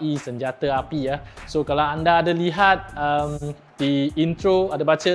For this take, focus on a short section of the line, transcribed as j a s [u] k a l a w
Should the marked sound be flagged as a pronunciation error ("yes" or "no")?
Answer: yes